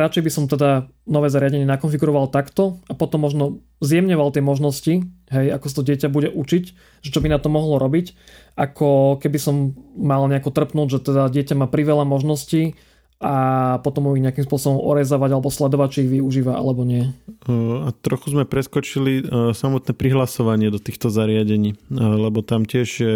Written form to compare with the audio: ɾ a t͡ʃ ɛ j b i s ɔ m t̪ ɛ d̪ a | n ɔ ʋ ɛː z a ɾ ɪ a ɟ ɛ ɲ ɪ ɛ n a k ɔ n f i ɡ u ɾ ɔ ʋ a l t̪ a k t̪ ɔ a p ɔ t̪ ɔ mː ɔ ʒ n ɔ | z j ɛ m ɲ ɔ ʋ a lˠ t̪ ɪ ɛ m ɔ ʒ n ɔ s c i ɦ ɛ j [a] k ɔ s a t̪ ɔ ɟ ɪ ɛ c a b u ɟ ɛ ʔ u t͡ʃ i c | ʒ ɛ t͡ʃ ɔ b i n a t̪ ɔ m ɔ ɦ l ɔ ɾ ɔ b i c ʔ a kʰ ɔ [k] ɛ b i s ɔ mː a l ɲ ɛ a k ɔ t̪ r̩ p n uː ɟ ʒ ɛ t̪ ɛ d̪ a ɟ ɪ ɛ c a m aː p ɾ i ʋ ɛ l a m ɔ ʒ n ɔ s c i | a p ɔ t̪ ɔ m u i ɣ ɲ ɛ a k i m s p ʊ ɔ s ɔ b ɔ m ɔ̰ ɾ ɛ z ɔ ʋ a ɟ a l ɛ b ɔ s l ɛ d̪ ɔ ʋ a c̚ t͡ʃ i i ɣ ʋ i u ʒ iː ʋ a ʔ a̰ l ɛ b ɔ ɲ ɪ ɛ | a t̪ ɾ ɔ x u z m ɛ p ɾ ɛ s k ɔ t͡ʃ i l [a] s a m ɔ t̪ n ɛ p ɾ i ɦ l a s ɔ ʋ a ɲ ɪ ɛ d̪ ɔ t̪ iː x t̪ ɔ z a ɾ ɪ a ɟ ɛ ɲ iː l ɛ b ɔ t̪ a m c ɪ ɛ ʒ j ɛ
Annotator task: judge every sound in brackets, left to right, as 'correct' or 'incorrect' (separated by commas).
correct, correct, incorrect